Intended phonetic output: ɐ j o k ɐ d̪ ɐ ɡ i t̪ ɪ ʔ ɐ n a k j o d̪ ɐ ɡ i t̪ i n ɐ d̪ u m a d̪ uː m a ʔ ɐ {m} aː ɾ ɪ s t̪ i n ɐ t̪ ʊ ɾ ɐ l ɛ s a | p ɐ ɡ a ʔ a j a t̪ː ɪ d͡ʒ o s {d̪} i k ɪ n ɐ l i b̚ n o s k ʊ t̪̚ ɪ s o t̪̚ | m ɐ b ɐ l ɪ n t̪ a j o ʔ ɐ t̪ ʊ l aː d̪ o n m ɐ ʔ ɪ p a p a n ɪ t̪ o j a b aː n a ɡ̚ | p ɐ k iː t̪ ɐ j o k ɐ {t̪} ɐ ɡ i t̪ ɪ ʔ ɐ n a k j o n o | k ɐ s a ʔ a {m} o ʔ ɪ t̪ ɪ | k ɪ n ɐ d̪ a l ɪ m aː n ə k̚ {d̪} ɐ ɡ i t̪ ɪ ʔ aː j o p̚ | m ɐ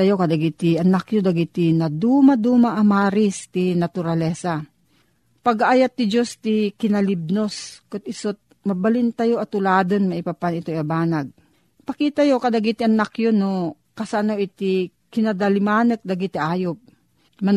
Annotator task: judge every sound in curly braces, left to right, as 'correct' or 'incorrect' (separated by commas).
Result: correct, incorrect, incorrect, incorrect, correct